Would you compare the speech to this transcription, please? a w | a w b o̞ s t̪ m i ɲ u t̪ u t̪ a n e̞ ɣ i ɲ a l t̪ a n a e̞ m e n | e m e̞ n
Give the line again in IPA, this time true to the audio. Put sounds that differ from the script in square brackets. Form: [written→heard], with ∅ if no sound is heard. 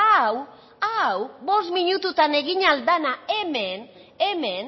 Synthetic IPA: a w | a w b o̞ s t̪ m i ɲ u t̪ u t̪ a n e̞ ɣ i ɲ a l [t̪→d̪] a n a e̞ m e n | e m e̞ n